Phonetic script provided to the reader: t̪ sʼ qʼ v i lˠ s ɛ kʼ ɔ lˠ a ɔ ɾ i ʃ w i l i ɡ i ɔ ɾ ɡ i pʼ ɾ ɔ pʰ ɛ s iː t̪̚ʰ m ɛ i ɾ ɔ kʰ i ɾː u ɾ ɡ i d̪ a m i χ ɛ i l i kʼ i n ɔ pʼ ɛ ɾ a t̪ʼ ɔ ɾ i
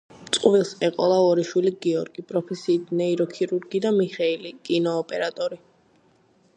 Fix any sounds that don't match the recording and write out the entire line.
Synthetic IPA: t̪ sʼ qʼ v i lˠ s ɛ qʼ ɔ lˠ a ɔ ɾ i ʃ w i l i ɡ i ɔ ɾ ɡ i pʼ ɾ ɔ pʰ ɛ s iː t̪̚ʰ n ɛ i ɾ ɔ kʰ i ɾ u ɾ ɡ i d̪ a m i χ ɛ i l i kʼ i n ɔː pʼ ɛ ɾ a t̪ʼ ɔ ɾ i